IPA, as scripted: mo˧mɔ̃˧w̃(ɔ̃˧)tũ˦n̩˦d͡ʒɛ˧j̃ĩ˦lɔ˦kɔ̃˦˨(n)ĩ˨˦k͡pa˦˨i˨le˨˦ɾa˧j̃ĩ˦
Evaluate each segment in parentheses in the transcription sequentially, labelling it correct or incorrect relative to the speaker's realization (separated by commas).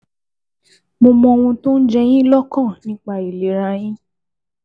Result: incorrect, correct